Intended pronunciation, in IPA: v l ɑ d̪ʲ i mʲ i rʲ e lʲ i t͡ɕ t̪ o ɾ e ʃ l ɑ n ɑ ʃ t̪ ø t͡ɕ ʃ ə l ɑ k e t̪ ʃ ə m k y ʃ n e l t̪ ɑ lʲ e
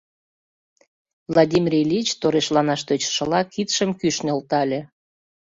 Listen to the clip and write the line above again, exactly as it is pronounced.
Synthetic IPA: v l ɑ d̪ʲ i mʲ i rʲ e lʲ i t͡ɕ t̪ o ɾ e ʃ l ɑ n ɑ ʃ t̪ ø t͡ɕ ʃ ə l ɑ k i t̪ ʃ ə m k y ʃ n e l t̪ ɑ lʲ e